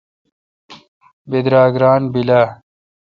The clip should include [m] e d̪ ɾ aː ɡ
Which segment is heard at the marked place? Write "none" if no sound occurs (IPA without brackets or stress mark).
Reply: b